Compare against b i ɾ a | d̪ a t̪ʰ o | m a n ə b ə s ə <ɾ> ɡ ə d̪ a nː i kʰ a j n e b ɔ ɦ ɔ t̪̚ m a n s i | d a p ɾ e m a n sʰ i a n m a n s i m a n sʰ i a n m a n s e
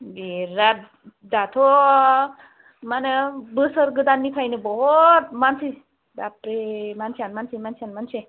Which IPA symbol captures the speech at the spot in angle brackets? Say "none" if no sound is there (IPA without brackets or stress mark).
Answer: ɾ